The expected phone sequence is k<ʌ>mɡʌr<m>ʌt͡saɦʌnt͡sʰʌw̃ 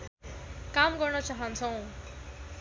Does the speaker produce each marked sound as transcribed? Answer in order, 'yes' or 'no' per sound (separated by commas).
no, no